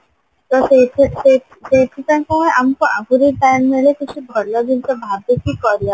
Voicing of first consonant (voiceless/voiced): voiceless